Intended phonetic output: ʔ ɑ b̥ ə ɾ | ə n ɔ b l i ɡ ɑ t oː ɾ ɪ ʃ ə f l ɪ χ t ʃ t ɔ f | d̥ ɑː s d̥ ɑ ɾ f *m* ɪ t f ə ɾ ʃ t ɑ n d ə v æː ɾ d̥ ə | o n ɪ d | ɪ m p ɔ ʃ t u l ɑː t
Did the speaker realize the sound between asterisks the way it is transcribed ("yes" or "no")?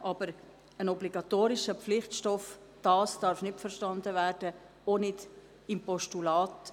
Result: no